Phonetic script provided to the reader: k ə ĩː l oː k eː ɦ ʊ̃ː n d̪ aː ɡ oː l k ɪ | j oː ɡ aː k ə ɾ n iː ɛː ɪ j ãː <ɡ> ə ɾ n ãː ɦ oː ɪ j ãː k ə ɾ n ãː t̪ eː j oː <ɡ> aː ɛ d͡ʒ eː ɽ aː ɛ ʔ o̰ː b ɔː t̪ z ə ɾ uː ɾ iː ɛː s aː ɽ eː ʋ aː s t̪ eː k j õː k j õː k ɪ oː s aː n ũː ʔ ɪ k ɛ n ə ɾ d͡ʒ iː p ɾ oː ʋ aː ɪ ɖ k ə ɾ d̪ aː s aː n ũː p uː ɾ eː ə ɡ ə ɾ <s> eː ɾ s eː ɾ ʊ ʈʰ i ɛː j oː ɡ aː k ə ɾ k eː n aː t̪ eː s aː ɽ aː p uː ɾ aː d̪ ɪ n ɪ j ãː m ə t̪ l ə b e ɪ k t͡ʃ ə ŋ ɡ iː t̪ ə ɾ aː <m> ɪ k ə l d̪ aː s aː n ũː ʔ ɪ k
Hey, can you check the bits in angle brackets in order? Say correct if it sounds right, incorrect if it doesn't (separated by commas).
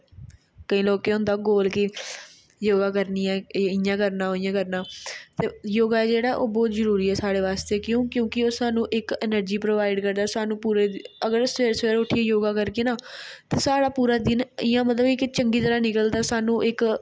incorrect, correct, correct, incorrect